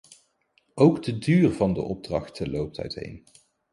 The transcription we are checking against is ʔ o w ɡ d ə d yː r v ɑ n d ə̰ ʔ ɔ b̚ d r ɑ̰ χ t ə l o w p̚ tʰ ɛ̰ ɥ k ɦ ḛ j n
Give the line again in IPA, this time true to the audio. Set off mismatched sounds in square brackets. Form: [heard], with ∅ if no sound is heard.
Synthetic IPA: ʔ o w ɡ d ə d yː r v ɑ n d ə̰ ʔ ɔ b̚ d r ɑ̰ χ t ə l o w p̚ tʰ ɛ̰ ɥ [t] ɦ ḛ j n